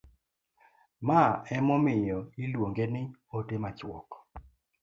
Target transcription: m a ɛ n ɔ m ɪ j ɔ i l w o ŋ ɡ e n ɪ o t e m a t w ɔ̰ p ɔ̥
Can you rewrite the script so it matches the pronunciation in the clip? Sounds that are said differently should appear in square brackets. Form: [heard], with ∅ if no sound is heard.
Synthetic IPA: m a ɛ [m] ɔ m ɪ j ɔ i l w o ŋ ɡ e n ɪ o t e m a [t͡ʃ] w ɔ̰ [k] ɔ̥

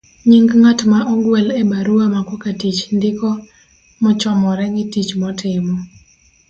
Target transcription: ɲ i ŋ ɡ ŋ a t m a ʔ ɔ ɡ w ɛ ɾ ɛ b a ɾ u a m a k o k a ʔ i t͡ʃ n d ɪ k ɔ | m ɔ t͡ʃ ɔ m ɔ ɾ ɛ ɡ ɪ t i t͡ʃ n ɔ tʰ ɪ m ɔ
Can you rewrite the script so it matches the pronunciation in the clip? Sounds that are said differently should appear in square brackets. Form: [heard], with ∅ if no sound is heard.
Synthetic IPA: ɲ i ŋ ɡ ŋ a t m a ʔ ɔ ɡ w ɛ [l] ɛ b a ɾ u a m a k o k a [t] i t͡ʃ n d ɪ k ɔ | m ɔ t͡ʃ ɔ m ɔ ɾ ɛ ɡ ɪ t i t͡ʃ [m] ɔ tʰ ɪ m ɔ

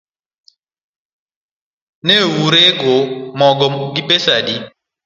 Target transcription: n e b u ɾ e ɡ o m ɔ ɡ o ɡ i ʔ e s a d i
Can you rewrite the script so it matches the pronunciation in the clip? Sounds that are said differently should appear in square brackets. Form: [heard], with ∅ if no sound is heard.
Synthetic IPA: n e [w] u ɾ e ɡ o m ɔ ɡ [ɔ] ɡ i [p] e s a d i

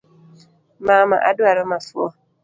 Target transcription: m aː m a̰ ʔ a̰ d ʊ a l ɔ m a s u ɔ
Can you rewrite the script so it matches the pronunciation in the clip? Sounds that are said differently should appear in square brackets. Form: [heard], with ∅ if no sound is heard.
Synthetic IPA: m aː m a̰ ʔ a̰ d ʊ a [ɾ] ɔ m a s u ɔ

